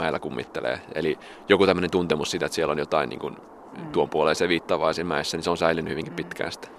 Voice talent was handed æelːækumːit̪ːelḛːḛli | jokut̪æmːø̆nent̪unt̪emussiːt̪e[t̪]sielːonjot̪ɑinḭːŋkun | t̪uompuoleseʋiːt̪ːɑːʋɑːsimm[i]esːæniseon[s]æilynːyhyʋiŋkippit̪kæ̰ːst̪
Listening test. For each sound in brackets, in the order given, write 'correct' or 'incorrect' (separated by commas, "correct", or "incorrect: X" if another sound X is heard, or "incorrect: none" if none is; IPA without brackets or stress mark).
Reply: correct, incorrect: æ, correct